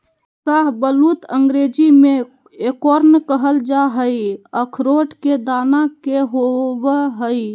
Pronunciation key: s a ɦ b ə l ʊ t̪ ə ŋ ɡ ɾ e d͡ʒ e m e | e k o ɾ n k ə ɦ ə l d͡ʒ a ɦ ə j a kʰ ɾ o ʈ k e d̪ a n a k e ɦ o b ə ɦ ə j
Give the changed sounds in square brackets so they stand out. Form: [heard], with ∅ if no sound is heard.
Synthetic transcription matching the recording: s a ɦ b ə l [u] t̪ ə ŋ ɡ ɾ e d͡ʒ [i] m e | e k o ɾ n k ə ɦ ə l d͡ʒ a ɦ ə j [ə] kʰ ɾ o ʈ k e d̪ a n a k e ɦ o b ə ɦ ə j